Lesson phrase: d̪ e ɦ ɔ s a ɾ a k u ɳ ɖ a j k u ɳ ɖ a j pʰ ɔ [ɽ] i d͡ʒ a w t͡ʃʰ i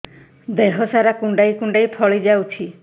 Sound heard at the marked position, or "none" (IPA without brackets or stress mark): ɭ